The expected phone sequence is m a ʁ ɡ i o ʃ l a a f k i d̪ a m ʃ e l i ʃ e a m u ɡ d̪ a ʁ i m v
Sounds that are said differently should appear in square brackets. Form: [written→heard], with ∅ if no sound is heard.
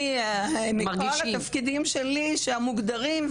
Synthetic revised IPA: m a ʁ ɡ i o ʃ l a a f k i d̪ [a→i] m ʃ e l i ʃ e a m u ɡ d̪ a ʁ i m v

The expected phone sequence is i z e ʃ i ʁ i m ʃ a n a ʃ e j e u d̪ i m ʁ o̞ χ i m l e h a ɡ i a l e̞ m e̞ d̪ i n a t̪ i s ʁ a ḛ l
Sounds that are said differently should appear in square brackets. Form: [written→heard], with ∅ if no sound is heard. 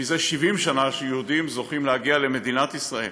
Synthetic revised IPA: i z e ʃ i [ʁ→v] i m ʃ a n a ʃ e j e u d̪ i m [ʁ→z] o̞ χ i m l e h a ɡ i a l e̞ m e̞ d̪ i n a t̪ i s ʁ a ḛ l

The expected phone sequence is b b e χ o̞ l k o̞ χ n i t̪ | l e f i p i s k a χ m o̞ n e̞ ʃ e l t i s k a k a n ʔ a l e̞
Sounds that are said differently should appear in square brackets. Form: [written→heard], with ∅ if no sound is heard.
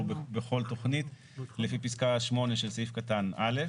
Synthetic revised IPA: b b e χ o̞ l [k→t] o̞ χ n i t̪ | l e f i p i s k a [χ→ʃ] m o̞ n e̞ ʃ e l [t→s] i [s→f] k a [k→t] a n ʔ a l e̞

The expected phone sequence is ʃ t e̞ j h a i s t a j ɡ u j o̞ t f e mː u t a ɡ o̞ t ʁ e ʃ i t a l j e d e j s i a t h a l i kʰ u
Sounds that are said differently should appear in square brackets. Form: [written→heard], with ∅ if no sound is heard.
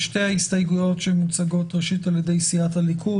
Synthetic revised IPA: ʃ t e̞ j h a i s t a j ɡ u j o̞ t [f→ʃ] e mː u [t→t͡s] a ɡ o̞ t ʁ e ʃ i t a l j e d e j s i a t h a l i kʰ u

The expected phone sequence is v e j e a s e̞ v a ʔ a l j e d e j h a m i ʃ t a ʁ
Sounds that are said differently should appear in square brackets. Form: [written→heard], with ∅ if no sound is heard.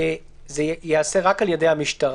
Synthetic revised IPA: [v→z] e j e a s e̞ [v→ʁ] a [ʔ→k] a l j e d e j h a m i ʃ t a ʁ

